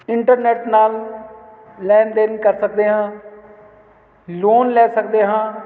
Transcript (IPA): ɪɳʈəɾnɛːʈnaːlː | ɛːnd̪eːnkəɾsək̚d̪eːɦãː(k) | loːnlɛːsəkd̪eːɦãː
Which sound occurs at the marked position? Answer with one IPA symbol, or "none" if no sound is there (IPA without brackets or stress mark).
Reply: none